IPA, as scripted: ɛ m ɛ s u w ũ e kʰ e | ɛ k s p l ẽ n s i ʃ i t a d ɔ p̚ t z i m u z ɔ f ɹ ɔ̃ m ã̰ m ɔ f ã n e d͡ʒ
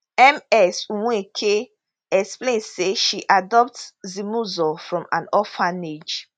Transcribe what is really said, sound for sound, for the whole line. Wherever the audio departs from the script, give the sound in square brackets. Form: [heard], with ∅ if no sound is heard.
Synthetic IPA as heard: ɛ m ɛ s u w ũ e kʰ e | ɛ k s p l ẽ n s [e] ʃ i [ʔ] a d ɔ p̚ t z i m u z ɔ f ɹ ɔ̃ m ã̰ [n] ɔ f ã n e d͡ʒ

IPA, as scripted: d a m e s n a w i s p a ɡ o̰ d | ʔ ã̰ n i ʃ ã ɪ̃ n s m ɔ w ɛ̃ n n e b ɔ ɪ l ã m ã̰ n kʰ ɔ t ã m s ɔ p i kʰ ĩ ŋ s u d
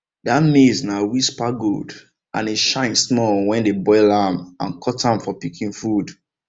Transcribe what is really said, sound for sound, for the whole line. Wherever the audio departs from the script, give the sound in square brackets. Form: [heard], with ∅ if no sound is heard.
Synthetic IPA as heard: d a m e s n a w i s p a ɡ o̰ d | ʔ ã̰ n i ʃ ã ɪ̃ n s m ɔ w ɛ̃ n [d] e b ɔ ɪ l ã m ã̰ n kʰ ɔ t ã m [f] ɔ p i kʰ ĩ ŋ [f] u d

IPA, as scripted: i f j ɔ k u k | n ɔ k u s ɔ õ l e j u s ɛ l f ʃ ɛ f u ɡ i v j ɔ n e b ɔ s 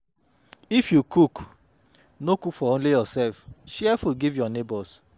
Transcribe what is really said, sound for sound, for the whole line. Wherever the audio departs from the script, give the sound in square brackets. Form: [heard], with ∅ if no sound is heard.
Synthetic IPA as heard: i f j [u] k u k | n [o] k u [f] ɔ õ l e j [ɔ] s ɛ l f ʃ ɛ f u ɡ i v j ɔ n e b ɔ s

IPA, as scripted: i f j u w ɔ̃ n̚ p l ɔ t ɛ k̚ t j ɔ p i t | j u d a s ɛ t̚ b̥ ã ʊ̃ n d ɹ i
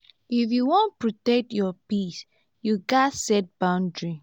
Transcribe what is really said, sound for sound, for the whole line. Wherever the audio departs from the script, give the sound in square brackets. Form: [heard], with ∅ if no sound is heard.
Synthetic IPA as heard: i f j u w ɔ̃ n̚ p [ɹ] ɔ t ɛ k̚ t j ɔ p i [s] | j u [ɡ] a s ɛ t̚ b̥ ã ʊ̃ n d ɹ i

